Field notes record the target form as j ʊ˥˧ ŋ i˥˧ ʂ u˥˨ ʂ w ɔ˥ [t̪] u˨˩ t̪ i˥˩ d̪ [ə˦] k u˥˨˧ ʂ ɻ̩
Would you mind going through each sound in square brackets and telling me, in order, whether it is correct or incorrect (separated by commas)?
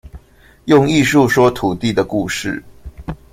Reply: incorrect, incorrect